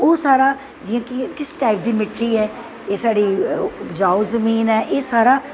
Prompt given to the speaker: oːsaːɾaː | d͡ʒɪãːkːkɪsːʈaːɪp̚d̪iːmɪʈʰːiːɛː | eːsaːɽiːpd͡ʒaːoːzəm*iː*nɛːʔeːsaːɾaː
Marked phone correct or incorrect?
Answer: correct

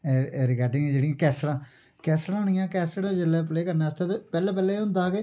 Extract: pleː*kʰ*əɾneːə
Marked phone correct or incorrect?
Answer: incorrect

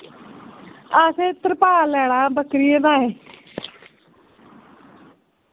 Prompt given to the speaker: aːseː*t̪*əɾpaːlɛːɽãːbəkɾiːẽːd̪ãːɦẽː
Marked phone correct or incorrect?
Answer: correct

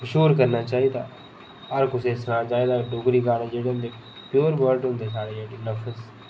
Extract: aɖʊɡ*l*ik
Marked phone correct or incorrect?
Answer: incorrect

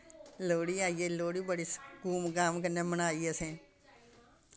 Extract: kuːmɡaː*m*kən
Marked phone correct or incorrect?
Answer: correct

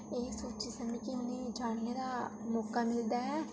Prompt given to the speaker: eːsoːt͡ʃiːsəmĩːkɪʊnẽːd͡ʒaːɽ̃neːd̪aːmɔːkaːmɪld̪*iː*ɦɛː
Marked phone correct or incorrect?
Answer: incorrect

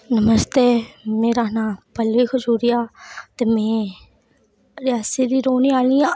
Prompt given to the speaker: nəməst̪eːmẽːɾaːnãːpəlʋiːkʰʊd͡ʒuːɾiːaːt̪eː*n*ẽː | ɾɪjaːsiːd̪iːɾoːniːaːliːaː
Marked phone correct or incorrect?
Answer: incorrect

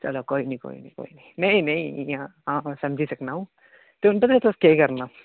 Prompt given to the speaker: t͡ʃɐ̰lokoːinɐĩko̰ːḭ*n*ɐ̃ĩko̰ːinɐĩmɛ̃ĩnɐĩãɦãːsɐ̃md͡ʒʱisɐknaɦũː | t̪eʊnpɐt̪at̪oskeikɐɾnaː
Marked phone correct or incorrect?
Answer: correct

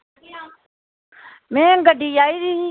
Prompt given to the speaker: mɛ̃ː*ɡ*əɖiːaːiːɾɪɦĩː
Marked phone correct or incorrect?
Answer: correct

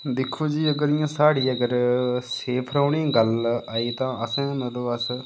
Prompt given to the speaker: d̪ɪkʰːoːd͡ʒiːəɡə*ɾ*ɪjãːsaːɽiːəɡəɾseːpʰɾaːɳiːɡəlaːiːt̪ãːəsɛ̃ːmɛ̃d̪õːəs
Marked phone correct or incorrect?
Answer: correct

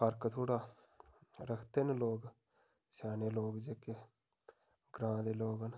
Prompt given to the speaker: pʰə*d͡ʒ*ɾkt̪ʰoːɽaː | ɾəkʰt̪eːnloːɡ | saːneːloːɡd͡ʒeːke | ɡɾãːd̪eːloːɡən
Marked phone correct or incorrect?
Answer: incorrect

